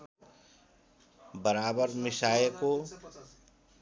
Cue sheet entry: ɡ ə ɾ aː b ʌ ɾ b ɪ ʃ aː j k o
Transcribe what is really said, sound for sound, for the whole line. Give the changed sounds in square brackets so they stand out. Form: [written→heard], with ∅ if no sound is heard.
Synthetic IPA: [ɡ→b] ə ɾ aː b [ʌ→ə] ɾ [b→m] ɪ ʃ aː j k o